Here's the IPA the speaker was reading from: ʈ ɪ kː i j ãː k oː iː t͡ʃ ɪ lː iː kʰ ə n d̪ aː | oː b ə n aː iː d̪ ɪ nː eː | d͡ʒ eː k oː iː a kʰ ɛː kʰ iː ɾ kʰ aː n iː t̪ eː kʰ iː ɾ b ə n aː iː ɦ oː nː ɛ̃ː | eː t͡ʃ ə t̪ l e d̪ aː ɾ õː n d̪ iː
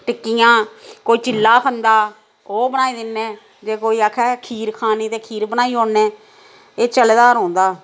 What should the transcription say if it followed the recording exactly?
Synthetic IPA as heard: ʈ ɪ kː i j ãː k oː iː t͡ʃ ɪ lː aː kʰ ə n d̪ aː | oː b ə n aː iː d̪ ɪ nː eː | d͡ʒ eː k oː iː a kʰ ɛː kʰ iː ɾ kʰ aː n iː t̪ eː kʰ iː ɾ b ə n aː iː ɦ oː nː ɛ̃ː | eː t͡ʃ ə l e d̪ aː ɾ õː n d̪ aː